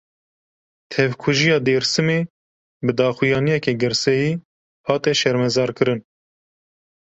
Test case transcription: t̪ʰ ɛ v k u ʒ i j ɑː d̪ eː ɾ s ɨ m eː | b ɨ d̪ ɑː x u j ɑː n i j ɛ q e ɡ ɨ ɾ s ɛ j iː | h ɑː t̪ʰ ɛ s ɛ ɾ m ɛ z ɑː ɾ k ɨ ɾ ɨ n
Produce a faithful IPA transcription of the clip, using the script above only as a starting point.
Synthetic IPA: t̪ʰ ɛ v kʰ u ʒ i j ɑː d̪ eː ɾ s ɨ m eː | b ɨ d̪ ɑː x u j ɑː n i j ɛ k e ɡ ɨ ɾ s ɛ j iː | h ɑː t̪ ɛ ʃ ɛ ɾ m ɛ z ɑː ɾ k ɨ ɾ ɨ n